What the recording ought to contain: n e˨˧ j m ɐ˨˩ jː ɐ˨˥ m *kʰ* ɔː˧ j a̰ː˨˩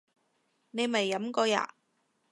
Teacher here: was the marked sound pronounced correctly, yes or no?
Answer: no